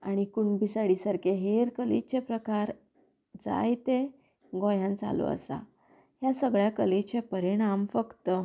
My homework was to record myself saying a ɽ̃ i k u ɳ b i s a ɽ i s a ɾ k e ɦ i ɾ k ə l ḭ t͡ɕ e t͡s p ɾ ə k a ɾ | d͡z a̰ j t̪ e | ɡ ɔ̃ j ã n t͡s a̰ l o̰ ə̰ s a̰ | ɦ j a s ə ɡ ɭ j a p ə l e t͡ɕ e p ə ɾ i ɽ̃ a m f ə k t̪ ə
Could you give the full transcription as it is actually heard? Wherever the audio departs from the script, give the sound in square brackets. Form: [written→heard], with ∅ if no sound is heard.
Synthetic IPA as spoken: a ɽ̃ i k u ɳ b i s a ɽ i s a ɾ k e ɦ [i→e] ɾ k ə l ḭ t͡ɕ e [t͡s→∅] p ɾ ə k a ɾ | d͡z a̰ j t̪ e | ɡ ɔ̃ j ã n t͡s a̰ l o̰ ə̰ s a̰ | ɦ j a s ə ɡ ɭ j a [p→k] ə l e t͡ɕ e p ə ɾ i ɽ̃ a m f ə k t̪ ə